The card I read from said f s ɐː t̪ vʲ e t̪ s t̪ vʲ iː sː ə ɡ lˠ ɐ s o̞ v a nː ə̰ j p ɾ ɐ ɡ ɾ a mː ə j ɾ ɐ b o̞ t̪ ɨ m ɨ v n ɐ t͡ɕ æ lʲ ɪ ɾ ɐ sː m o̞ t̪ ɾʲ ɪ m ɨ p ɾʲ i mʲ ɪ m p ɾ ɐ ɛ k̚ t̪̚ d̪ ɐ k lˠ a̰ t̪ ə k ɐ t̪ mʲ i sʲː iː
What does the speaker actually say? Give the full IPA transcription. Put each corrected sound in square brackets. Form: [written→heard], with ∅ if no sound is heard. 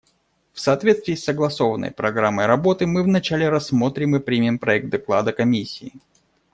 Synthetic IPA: f s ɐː t̪ vʲ e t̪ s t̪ vʲ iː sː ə ɡ lˠ ɐ s o̞ v [a→ə] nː ə̰ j p ɾ ɐ ɡ ɾ a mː ə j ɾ ɐ b o̞ t̪ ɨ m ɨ v n ɐ t͡ɕ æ lʲ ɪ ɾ ɐ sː m o̞ t̪ ɾʲ ɪ m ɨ p ɾʲ i mʲ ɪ m p ɾ ɐ ɛ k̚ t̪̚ d̪ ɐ k lˠ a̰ [t̪→d̪] ə k ɐ [t̪→∅] mʲ i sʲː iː